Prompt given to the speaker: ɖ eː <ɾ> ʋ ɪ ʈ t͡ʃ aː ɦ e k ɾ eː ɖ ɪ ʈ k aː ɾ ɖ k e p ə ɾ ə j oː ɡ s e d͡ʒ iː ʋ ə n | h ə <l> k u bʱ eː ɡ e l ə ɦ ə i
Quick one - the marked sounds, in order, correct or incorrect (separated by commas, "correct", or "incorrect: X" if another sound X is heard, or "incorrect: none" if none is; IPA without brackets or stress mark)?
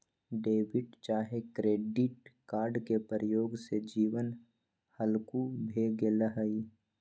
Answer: incorrect: none, correct